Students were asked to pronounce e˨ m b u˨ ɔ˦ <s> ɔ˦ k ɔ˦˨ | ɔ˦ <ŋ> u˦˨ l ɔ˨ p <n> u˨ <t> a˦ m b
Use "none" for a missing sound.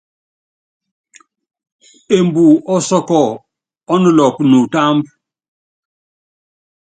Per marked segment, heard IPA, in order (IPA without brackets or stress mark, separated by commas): s, n, n, t